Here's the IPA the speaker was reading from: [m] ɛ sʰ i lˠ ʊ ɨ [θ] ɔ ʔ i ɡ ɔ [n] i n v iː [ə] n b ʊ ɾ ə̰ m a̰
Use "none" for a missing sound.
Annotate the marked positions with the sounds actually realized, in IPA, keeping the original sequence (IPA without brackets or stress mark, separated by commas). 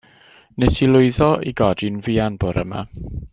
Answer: n, ð, d, a